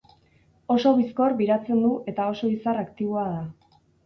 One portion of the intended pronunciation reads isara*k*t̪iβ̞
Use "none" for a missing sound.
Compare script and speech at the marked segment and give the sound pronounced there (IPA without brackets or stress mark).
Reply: k